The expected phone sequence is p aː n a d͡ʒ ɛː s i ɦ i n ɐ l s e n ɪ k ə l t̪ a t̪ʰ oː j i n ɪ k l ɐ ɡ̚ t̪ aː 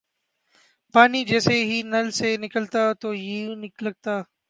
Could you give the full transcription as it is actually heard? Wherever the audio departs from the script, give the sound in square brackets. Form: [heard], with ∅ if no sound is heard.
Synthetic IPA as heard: p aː n [i] d͡ʒ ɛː s [e] ɦ i n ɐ l s e n ɪ k ə l t̪ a [t̪] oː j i n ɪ k l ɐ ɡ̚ t̪ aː